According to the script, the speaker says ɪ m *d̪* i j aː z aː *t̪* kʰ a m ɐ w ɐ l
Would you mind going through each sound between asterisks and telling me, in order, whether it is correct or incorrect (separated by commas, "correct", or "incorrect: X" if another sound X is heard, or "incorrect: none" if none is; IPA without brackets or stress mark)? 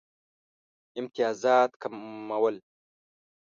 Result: incorrect: t̪, correct